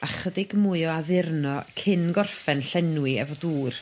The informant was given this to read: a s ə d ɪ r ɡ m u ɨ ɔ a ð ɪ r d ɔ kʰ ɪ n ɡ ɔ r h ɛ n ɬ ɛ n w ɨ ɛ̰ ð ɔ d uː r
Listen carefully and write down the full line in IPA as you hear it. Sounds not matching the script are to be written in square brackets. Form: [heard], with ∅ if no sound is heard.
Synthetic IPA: a [χ] ə d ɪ [∅] ɡ m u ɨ ɔ a ð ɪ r [n] ɔ kʰ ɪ n ɡ ɔ r [f] ɛ n ɬ ɛ n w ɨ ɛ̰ [v] ɔ d uː r